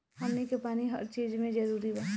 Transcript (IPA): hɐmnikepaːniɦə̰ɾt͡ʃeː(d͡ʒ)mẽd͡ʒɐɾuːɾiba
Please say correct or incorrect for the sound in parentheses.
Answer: correct